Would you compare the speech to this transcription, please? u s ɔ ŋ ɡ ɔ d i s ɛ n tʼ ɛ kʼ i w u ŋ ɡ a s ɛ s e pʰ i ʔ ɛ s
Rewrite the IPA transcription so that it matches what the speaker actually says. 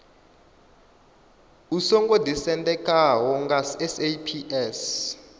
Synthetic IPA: u s ɔ ŋ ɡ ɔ d i s ɛ n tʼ ɛ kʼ a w ɔ ŋ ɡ a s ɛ s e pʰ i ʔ ɛ s